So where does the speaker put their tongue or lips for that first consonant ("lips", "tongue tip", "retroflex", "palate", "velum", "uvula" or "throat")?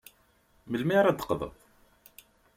lips